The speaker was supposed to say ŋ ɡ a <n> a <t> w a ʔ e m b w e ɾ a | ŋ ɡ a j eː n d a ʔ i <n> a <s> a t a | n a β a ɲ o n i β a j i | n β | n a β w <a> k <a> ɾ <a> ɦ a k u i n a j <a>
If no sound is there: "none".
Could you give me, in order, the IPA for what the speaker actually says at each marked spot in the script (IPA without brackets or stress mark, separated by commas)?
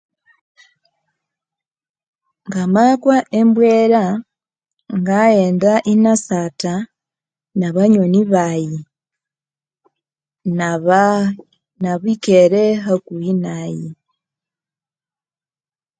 m, k, n, s, i, e, e, i